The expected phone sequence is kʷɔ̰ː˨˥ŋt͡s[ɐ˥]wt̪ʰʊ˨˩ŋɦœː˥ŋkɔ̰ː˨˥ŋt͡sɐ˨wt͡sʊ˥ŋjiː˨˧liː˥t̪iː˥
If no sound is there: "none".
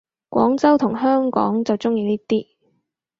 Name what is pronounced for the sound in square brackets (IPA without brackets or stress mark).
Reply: ɐ˥